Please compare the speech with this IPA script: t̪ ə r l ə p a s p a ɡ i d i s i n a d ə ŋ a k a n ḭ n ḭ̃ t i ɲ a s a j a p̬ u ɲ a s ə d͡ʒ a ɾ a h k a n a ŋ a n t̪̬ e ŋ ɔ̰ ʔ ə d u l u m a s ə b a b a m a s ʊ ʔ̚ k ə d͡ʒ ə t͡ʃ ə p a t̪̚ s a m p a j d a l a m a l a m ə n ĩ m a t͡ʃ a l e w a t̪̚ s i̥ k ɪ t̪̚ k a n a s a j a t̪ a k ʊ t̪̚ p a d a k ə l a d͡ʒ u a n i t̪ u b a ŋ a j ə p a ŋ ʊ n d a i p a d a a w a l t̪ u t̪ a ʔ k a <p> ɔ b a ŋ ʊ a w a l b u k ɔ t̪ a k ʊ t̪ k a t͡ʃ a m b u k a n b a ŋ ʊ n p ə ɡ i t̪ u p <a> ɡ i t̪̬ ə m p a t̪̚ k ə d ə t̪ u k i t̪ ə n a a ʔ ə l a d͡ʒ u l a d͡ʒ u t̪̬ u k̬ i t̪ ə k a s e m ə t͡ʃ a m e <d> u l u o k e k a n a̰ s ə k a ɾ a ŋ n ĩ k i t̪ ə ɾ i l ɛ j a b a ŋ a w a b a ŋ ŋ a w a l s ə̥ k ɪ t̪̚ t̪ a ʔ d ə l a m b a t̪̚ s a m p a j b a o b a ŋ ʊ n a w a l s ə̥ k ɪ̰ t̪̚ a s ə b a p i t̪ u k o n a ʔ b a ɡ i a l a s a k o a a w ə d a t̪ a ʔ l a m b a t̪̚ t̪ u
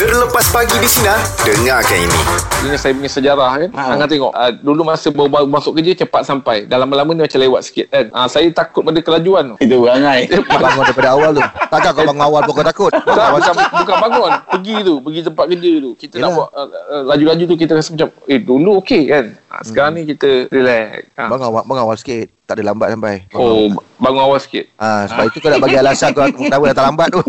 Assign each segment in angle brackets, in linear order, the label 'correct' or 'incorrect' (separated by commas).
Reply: incorrect, incorrect, correct